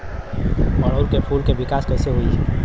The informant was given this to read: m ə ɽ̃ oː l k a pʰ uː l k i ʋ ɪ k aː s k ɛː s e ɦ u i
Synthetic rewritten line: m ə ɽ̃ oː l k e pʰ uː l k e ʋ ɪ k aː s k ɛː s e ɦ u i